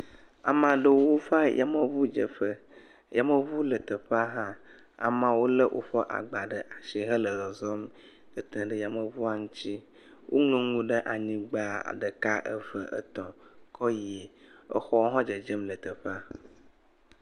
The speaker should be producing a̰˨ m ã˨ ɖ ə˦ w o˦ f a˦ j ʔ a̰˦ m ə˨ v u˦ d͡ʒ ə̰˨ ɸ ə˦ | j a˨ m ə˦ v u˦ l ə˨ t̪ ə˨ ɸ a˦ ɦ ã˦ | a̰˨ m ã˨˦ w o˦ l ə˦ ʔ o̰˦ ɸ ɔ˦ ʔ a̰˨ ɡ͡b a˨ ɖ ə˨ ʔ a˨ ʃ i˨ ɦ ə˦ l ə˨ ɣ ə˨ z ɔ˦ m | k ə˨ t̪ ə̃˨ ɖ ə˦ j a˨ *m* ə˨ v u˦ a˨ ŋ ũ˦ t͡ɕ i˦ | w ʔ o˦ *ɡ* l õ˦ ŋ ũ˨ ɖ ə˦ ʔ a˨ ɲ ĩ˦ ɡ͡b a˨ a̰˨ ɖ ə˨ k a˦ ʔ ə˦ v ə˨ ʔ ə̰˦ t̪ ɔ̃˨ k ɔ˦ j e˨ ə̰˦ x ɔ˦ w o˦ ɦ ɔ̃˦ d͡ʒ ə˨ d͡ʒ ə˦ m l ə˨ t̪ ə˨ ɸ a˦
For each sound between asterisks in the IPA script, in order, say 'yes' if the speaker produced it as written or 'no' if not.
yes, no

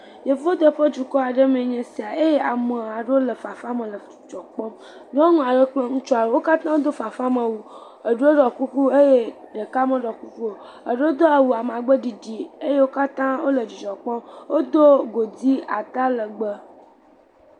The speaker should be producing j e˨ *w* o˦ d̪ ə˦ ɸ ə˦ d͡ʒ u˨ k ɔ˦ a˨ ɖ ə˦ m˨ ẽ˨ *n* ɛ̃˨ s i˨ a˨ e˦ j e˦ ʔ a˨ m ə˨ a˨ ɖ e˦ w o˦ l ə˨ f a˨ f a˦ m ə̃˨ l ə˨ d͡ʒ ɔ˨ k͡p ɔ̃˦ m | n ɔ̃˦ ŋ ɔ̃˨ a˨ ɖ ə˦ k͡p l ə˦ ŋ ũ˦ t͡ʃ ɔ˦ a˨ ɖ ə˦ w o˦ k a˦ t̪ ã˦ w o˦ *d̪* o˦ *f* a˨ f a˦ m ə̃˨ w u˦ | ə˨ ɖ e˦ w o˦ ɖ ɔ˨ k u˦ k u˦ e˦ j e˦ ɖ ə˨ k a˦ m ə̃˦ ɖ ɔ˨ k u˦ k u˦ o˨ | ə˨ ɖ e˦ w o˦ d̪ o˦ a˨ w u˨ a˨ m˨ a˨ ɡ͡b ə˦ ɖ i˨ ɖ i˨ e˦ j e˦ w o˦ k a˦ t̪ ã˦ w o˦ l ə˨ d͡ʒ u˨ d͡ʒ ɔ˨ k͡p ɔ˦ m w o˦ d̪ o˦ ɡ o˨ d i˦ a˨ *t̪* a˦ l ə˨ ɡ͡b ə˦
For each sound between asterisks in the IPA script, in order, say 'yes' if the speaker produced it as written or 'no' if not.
no, no, yes, yes, yes

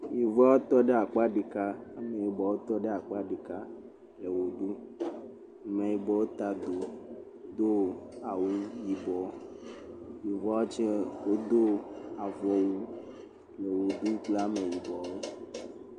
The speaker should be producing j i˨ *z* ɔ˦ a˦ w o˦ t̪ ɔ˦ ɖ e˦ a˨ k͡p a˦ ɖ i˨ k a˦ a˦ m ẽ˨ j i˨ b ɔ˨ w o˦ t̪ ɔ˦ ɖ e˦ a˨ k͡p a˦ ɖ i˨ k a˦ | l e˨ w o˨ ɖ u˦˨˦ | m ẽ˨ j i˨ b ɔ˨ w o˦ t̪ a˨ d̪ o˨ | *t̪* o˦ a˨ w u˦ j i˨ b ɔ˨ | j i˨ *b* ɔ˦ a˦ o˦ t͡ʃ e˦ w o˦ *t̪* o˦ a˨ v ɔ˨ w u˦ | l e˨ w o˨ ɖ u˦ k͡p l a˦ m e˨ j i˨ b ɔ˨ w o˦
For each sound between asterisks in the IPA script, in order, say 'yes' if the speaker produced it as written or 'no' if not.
no, no, no, no

